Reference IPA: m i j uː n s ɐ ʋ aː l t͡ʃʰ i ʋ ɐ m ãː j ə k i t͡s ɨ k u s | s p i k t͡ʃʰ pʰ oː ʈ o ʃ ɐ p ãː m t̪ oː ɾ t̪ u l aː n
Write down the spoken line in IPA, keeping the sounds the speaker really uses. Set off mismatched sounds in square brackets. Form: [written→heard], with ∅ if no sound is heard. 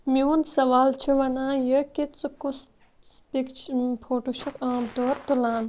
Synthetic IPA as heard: m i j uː n s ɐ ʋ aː l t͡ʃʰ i ʋ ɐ [m→n] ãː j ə k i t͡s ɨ k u s | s p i k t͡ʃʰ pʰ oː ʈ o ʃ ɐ [p→k] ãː m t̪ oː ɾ t̪ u l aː n